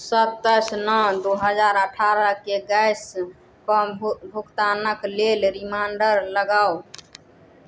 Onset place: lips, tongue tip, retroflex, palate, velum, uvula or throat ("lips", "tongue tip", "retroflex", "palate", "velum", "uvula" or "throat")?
tongue tip